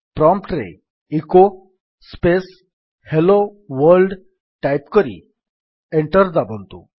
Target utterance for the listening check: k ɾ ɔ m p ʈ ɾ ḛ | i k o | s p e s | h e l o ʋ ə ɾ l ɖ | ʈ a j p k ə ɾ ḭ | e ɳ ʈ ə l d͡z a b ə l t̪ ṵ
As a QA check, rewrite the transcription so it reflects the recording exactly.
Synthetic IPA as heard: p ɾ ɔ m p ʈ ɾ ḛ | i k o | s p e s | h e l o ʋ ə ɾ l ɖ | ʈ a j p k ə ɾ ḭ | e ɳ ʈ ə ɾ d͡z a b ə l t̪ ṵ